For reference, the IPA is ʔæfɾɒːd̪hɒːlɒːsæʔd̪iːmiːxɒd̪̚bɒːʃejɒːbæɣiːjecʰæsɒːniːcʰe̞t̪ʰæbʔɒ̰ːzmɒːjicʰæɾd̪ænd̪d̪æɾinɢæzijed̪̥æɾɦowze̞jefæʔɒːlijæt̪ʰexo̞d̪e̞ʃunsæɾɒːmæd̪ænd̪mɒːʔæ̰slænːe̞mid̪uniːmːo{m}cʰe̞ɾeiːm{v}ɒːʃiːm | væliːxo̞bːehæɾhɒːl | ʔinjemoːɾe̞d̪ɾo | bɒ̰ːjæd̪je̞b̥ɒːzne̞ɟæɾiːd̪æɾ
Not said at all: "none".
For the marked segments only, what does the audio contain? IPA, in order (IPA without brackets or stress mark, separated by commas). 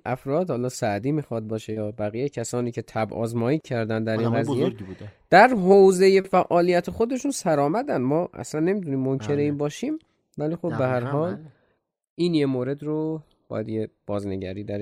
n, b